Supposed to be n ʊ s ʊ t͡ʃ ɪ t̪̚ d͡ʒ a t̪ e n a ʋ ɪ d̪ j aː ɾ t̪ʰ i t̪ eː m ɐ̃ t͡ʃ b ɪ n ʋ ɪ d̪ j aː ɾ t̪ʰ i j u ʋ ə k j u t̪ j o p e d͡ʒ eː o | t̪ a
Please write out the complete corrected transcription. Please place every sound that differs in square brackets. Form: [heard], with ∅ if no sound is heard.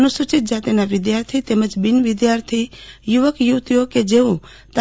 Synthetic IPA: n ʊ s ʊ t͡ʃ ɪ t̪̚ d͡ʒ a t̪ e n a ʋ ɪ d̪ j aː ɾ t̪ʰ i t̪ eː m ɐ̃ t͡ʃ b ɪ n ʋ ɪ d̪ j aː ɾ t̪ʰ i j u ʋ ə k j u t̪ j o [k] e d͡ʒ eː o | t̪ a